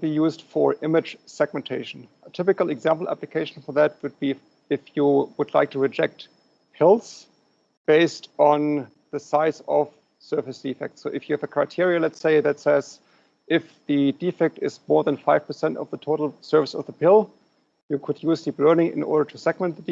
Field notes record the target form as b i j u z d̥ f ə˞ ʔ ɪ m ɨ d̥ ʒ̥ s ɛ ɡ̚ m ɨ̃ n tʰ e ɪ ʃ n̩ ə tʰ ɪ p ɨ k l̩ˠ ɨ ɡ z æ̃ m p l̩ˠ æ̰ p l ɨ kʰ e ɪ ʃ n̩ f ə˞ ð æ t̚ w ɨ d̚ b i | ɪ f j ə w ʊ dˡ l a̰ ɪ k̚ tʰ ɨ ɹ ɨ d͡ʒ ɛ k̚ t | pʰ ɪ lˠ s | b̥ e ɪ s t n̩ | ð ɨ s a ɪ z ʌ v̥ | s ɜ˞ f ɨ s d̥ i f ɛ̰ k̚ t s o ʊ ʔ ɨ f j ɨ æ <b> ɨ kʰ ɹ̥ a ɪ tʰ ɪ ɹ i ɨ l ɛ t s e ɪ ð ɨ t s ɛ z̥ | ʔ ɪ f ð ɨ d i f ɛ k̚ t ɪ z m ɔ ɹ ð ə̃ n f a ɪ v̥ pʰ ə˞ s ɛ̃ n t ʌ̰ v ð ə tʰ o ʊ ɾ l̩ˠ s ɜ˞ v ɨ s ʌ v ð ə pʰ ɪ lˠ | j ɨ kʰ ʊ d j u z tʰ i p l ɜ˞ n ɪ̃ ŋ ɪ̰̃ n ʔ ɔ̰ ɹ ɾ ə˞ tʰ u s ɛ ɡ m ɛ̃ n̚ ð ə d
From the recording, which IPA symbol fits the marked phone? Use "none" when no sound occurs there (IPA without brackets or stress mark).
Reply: v